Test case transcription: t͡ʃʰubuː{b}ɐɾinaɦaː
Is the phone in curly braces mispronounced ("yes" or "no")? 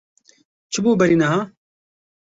no